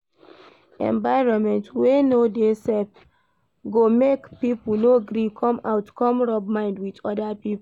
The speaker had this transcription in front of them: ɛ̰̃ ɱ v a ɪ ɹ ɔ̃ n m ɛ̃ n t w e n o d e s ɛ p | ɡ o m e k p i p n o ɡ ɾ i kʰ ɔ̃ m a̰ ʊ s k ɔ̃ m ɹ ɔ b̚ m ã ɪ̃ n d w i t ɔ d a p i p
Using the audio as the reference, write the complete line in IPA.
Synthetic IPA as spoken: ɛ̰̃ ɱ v a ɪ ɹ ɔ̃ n m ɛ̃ n t w e n o d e s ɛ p | ɡ o m e k p i p n o ɡ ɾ i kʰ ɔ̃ m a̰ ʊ t k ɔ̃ m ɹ ɔ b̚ m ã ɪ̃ n d w i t ɔ d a p i p